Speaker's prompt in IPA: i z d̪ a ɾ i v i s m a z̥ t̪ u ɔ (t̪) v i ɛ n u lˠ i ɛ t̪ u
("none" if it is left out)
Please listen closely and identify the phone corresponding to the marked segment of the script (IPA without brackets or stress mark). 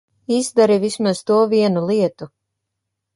none